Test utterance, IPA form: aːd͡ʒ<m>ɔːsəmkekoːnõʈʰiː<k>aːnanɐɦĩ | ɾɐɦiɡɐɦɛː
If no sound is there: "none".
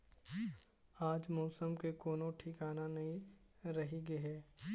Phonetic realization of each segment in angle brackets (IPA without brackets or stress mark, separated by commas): m, k